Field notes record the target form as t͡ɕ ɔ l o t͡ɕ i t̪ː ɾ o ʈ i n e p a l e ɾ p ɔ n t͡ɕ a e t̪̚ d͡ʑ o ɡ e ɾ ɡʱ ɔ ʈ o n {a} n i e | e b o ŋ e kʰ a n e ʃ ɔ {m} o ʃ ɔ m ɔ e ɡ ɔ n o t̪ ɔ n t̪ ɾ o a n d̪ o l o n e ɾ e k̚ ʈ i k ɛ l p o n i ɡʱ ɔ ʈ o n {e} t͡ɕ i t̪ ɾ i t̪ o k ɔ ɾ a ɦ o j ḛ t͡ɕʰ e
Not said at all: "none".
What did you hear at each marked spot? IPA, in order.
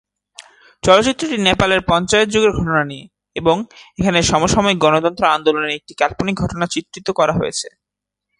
a, m, a

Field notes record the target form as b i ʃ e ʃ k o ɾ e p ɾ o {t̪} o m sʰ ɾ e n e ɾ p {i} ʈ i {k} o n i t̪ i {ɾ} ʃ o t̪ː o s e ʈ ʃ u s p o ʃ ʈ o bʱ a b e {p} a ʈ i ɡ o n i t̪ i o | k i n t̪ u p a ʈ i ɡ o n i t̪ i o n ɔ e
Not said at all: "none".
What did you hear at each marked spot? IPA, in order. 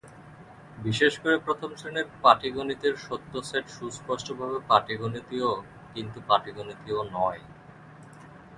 t̪ʰ, a, ɡ, ɾ, p

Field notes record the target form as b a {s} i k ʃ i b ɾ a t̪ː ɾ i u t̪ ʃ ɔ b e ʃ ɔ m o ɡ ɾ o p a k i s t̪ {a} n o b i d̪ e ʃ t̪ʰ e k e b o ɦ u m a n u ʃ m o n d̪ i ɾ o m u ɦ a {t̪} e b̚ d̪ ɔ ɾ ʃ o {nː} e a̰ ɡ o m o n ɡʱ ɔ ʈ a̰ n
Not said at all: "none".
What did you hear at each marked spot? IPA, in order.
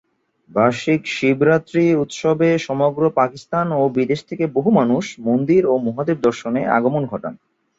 ʃ, a, d̪, n

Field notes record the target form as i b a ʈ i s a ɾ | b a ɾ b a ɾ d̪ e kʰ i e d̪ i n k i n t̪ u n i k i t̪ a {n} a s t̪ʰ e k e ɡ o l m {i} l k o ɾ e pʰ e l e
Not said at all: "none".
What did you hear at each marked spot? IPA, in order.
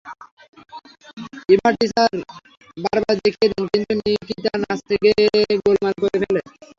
n, a

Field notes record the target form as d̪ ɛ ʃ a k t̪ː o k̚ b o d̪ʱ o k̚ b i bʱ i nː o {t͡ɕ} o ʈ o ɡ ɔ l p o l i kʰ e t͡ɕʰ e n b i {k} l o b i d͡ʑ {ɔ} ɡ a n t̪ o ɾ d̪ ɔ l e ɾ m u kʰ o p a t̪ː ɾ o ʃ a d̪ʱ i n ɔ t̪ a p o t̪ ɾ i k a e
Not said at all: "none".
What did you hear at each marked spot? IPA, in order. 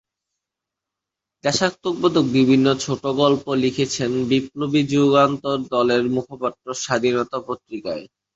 t͡ɕʰ, p, u

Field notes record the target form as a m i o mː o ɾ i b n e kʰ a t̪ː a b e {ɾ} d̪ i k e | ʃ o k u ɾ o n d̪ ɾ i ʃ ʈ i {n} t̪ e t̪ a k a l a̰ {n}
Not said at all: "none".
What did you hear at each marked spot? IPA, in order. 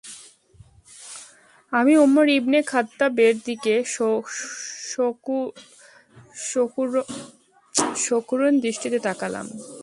ɾ, none, m

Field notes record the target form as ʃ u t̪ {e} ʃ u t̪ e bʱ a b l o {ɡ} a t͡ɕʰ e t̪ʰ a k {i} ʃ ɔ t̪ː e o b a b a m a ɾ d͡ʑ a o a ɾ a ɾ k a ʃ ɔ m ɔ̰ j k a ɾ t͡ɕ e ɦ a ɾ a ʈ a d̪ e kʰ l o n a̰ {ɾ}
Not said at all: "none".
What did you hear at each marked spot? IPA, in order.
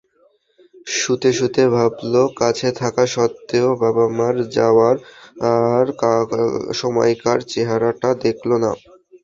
e, k, a, none

